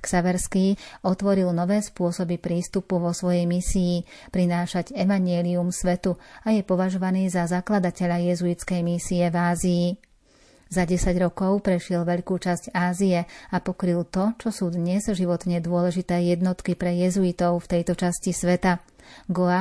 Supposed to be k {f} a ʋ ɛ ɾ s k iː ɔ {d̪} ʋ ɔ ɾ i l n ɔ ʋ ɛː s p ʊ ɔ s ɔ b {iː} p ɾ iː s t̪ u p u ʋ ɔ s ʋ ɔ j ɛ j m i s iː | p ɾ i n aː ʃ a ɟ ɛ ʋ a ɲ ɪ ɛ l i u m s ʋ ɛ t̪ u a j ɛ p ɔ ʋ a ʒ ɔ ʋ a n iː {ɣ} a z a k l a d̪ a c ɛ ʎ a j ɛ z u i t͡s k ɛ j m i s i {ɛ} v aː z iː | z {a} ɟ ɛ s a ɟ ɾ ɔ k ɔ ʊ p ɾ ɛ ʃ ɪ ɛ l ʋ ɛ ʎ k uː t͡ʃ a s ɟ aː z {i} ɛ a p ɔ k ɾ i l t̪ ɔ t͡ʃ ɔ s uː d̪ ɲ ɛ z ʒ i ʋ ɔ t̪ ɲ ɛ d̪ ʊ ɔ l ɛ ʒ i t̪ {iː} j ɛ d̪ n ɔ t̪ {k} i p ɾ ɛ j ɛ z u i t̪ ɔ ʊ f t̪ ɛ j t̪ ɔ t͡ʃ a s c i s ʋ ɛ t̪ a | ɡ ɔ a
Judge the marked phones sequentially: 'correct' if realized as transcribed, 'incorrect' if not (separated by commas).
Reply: incorrect, incorrect, incorrect, incorrect, correct, correct, correct, incorrect, correct